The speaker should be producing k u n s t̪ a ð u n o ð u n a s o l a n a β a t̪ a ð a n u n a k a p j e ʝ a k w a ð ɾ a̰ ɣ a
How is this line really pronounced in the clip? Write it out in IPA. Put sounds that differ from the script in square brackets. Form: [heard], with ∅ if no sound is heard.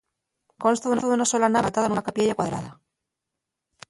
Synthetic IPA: k [o] n s t̪ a ð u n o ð u n a s o l a n a β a t̪ a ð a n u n a k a p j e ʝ a k w a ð ɾ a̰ [ð] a